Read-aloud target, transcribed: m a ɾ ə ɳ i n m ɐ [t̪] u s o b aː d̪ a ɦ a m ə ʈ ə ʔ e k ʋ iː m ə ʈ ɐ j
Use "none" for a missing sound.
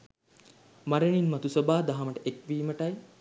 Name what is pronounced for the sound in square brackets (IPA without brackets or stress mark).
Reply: t̪